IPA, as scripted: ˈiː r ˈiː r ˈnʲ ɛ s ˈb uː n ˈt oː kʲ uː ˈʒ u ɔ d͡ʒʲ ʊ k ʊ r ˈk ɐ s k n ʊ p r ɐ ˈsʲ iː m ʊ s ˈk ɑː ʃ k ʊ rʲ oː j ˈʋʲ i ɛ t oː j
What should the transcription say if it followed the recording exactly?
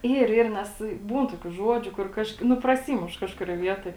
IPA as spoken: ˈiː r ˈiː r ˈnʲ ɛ s ˈb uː n ˈt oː kʲ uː ˈʒ u ɔ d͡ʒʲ ʊ k ʊ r ˈk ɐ ʃ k n ʊ p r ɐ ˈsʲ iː m ʊ ʃ ˈk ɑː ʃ k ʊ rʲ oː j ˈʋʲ i ɛ t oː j